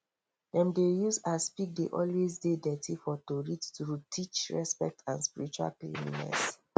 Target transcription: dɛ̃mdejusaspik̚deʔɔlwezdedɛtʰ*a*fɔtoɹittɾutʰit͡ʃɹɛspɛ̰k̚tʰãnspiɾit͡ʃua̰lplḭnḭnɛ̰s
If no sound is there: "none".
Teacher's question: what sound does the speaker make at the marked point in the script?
i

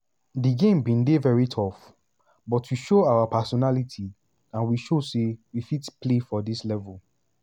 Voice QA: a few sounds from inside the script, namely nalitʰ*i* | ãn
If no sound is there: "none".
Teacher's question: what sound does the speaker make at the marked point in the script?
i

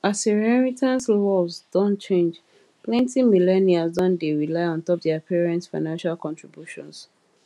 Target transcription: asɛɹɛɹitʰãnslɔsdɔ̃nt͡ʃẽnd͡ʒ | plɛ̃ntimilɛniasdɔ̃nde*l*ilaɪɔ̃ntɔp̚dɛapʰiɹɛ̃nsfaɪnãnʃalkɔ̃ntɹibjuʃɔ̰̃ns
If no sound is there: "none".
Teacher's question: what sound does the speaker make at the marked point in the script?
ɹ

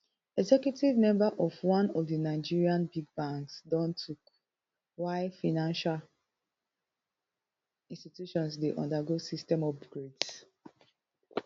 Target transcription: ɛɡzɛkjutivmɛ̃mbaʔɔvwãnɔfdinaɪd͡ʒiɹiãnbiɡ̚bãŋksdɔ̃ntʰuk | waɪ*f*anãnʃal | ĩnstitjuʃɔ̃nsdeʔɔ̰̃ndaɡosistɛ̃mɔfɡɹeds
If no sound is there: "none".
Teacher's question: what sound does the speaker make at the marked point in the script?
f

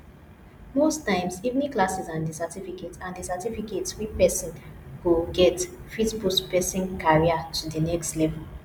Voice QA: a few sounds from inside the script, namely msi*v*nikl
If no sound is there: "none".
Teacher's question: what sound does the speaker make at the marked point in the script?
v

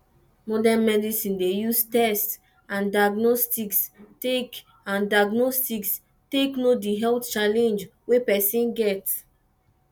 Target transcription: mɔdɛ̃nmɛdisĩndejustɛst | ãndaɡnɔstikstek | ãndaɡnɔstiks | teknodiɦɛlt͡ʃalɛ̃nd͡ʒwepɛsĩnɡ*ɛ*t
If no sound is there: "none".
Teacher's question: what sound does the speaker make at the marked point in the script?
ɛ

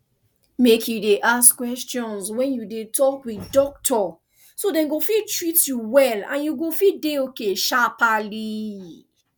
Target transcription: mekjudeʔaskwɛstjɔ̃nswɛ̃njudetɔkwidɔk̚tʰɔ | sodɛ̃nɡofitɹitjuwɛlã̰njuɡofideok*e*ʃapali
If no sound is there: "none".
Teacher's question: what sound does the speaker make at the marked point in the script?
e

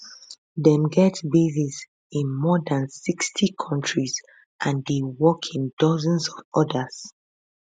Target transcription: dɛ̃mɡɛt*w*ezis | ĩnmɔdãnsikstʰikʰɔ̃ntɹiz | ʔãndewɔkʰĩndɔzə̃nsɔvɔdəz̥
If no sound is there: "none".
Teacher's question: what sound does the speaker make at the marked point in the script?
b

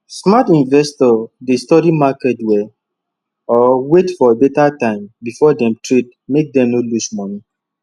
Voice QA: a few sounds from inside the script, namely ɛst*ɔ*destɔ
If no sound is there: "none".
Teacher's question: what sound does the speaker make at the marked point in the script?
ɔ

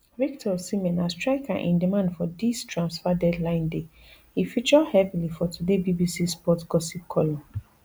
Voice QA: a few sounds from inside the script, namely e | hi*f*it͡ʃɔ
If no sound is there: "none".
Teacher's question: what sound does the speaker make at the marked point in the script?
f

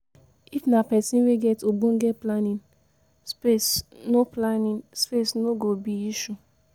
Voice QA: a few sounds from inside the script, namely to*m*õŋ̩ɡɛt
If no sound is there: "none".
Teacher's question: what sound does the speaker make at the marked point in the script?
b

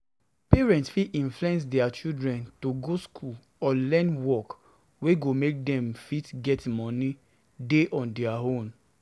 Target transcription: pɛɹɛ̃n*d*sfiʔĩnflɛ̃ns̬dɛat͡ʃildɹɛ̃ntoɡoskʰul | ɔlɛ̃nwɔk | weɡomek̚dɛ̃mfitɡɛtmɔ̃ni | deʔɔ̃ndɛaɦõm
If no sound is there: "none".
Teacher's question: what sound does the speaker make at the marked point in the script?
t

